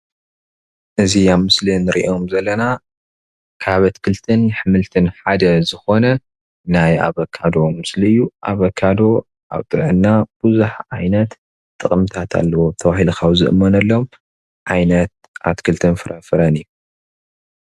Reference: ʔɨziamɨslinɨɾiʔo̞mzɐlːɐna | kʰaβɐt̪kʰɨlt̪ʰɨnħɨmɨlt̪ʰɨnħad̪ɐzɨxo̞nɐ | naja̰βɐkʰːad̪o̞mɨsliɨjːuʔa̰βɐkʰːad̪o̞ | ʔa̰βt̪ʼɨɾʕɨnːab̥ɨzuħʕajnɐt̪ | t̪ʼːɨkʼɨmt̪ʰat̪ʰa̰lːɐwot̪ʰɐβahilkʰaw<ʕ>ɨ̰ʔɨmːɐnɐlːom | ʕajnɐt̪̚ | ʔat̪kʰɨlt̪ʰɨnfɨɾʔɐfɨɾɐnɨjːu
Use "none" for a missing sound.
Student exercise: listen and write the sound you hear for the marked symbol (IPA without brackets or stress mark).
z